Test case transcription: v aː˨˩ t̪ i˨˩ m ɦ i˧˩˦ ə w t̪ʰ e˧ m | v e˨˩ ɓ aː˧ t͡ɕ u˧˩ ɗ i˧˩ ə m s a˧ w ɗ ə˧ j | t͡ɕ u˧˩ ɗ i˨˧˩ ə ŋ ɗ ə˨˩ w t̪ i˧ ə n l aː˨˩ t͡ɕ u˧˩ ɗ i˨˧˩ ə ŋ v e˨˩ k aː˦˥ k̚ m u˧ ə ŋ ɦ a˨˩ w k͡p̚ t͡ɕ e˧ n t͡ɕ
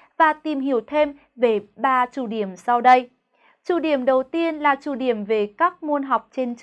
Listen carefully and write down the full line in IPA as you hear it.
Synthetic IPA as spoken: v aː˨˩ t̪ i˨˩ m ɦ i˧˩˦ ə w t̪ʰ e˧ m | v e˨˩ ɓ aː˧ t͡ɕ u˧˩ ɗ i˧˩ ə m s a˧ w ɗ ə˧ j | t͡ɕ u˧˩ ɗ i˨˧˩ ə m ɗ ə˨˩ w t̪ i˧ ə n l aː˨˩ t͡ɕ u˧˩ ɗ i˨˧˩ ə m v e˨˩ k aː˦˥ k̚ m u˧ ə n ɦ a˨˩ w k͡p̚ t͡ɕ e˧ n t͡ɕ

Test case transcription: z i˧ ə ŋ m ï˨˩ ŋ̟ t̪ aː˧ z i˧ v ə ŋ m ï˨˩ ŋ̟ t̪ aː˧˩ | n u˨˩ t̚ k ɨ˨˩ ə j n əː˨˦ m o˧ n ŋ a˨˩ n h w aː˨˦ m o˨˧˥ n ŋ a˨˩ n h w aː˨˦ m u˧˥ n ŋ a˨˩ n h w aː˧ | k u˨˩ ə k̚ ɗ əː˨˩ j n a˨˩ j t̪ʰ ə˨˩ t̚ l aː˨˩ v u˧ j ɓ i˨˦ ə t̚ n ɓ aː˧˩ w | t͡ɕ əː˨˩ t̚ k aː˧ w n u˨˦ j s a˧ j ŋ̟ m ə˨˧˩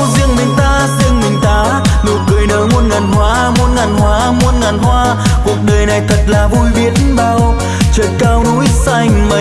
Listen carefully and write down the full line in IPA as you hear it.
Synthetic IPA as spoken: z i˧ ə ŋ m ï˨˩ ŋ̟ t̪ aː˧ z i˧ ə ŋ m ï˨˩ ŋ̟ t̪ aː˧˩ | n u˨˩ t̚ k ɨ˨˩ ə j n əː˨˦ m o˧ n ŋ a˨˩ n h w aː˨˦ m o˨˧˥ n ŋ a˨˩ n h w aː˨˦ m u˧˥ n ŋ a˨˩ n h w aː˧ | k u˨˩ ə k̚ ɗ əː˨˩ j n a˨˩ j t̪ʰ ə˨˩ t̚ l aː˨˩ v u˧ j ɓ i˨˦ ə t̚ n ɓ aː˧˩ w | t͡ɕ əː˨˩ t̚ k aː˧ w n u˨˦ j s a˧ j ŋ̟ m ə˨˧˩

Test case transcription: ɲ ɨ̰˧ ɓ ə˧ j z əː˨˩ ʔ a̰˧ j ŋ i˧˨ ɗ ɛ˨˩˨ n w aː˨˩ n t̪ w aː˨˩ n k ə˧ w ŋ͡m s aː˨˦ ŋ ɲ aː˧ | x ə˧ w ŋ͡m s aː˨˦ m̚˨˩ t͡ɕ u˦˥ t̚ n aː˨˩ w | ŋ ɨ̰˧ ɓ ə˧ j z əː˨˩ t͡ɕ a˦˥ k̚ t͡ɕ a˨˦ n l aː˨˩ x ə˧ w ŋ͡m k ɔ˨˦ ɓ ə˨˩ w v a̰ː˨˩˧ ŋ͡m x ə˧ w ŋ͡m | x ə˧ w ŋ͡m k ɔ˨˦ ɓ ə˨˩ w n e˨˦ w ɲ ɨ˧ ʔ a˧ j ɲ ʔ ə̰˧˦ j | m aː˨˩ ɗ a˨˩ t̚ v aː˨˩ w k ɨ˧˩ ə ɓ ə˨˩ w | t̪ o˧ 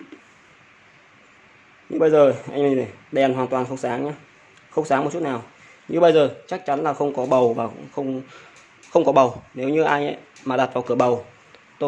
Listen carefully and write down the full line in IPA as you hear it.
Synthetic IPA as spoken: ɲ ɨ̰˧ ɓ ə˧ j z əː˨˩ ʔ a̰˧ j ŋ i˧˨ ɗ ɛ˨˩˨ n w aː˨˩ n t̪ w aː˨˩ n x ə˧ w ŋ͡m s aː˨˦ ŋ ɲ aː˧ | x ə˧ w ŋ͡m s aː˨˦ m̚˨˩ t͡ɕ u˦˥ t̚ n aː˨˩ w | ɲ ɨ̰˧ ɓ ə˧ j z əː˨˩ t͡ɕ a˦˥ k̚ t͡ɕ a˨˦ n l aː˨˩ x ə˧ w ŋ͡m k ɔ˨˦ ɓ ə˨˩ w v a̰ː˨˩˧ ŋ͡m x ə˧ w ŋ͡m | x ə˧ w ŋ͡m k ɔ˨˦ ɓ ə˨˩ w n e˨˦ w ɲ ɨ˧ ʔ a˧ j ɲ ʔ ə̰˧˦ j | m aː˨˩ ɗ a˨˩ t̚ v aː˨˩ w k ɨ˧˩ ə ɓ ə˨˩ w | t̪ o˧

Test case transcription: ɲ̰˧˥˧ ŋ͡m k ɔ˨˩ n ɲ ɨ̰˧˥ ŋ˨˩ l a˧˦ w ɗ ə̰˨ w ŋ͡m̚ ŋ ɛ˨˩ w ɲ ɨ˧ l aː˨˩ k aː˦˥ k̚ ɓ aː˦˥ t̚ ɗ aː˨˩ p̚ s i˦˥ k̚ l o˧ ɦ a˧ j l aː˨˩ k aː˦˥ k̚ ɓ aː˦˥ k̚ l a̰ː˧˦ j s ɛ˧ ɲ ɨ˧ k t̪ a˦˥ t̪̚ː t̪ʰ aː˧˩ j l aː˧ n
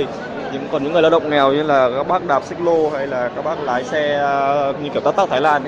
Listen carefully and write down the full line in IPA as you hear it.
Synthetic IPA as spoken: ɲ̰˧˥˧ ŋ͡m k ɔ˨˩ n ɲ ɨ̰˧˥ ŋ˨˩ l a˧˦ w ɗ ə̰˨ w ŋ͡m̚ ŋ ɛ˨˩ w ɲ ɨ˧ l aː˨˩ k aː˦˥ k̚ ɓ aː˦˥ k̚ ɗ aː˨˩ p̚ s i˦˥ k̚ l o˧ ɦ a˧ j l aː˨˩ k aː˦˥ k̚ ɓ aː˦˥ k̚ l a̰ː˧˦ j s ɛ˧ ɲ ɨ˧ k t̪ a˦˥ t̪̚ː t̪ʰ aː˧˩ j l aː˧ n

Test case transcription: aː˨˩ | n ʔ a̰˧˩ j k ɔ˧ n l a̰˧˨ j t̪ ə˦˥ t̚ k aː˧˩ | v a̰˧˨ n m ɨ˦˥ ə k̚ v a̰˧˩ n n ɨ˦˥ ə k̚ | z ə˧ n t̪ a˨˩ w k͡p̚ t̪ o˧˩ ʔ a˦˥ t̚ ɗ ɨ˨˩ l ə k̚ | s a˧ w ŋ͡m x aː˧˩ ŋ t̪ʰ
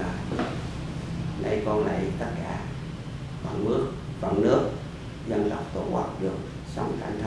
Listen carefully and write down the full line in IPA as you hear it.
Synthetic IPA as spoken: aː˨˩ | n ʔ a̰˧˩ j k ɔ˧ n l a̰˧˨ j t̪ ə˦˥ t̚ k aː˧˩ | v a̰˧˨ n m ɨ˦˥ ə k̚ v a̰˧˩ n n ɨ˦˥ ə k̚ | z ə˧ n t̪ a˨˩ w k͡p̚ t̪ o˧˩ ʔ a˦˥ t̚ ɗ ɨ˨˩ ə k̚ | s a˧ w ŋ͡m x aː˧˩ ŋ t̪ʰ

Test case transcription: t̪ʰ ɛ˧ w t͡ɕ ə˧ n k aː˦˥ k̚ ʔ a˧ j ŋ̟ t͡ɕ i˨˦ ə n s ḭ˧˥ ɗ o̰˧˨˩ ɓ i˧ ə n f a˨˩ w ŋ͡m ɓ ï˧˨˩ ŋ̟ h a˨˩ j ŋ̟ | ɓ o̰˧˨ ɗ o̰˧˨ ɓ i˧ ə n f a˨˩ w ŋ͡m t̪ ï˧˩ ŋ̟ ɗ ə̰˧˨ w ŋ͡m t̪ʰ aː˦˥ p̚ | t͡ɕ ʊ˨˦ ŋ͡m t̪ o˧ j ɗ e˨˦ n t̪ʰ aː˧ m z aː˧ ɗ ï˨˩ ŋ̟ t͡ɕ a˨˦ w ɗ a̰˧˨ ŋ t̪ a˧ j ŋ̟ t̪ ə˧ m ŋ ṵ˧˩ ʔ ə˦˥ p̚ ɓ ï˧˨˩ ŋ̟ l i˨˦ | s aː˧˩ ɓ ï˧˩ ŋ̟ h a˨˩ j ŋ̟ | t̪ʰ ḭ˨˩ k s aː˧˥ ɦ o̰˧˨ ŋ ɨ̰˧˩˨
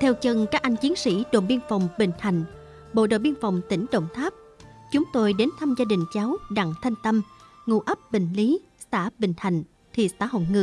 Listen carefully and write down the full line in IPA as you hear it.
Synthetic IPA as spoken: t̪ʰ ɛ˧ w t͡ɕ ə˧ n k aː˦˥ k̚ ʔ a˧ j ŋ̟ t͡ɕ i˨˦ ə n s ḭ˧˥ ɗ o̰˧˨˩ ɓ i˧ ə n f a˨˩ w ŋ͡m ɓ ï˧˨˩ ŋ̟ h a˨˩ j ŋ̟ | ɓ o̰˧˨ ɗ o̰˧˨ ɓ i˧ ə n f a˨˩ w ŋ͡m t̪ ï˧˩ ŋ̟ ɗ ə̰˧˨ w ŋ͡m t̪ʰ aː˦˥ p̚ | t͡ɕ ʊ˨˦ ŋ͡m t̪ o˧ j ɗ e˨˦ n t̪ʰ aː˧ m z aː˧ ɗ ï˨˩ ŋ̟ t͡ɕ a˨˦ w ɗ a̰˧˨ ŋ t̪ʰ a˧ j ŋ̟ t̪ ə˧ m ŋ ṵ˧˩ ʔ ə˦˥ p̚ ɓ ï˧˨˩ ŋ̟ l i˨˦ | s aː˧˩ ɓ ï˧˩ ŋ̟ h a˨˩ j ŋ̟ | t̪ʰ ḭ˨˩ s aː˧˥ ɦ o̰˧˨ ŋ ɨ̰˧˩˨

